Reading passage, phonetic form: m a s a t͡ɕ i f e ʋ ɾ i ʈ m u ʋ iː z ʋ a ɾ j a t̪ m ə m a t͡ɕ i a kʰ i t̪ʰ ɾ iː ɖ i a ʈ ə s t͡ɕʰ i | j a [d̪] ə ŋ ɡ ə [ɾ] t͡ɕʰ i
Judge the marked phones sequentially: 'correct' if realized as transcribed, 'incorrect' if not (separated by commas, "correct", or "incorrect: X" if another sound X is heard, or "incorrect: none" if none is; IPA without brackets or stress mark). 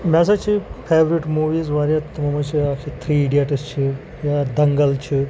correct, incorrect: l